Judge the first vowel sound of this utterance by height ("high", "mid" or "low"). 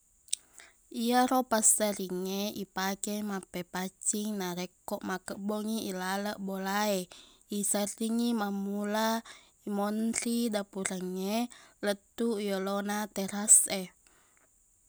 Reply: high